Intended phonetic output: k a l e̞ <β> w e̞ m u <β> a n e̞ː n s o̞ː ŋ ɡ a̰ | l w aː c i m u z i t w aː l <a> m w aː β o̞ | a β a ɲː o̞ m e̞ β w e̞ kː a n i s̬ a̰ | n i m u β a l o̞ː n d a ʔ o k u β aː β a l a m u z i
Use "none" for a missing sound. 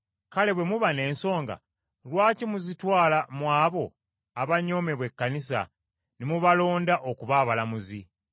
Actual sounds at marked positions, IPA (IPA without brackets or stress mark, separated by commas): β, β, a